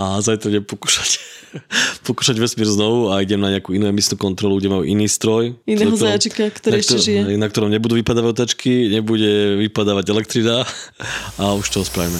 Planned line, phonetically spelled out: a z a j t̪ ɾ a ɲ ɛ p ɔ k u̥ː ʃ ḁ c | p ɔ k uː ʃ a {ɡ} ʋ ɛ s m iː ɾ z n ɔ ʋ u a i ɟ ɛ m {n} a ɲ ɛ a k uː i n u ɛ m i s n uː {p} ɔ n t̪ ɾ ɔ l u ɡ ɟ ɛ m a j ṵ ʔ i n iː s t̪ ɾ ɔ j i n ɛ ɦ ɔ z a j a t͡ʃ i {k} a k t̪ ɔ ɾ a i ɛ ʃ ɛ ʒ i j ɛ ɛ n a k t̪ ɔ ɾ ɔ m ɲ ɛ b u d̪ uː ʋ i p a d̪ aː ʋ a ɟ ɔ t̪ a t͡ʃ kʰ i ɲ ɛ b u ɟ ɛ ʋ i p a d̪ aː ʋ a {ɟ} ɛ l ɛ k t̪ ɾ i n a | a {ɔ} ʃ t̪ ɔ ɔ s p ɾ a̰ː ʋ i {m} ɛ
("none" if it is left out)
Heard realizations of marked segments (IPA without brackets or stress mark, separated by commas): ɟ, n, k, k, ɟ, u, m